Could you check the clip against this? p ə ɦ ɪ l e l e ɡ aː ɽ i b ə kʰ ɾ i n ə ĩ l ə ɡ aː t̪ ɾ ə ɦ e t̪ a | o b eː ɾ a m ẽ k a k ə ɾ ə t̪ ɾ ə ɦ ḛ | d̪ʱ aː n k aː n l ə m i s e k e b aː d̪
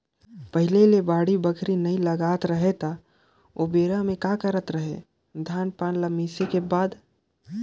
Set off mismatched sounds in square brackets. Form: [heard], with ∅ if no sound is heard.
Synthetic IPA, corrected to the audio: p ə ɦ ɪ l e l e [b] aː ɽ i b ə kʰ ɾ i n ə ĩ l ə ɡ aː t̪ ɾ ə ɦ e t̪ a | o b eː ɾ a m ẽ k a k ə ɾ ə t̪ ɾ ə ɦ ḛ | d̪ʱ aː n [p] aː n l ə m i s e k e b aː d̪